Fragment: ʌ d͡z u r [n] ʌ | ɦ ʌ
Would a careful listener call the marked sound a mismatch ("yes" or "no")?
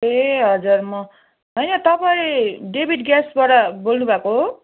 yes